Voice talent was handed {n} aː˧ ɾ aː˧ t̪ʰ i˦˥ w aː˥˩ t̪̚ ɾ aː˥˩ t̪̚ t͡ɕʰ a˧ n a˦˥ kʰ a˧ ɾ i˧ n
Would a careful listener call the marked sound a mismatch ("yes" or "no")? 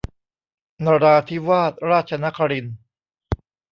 no